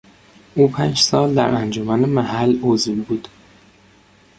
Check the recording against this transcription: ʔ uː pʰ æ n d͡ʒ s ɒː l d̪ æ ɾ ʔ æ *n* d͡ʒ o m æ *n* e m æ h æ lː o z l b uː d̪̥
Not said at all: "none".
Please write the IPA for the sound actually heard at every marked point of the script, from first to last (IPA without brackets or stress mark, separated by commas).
n, n